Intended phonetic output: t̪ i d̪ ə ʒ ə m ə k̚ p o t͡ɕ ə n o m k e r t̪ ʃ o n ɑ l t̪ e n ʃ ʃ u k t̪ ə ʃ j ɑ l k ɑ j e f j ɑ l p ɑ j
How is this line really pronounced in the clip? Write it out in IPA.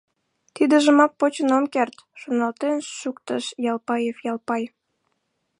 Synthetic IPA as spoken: t̪ i d̪ ə ʒ ə m ɑ k̚ p o t͡ɕ ə n o m k e r t̪ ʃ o n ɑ l t̪ e n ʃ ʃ u k t̪ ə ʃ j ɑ l p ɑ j e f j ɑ l p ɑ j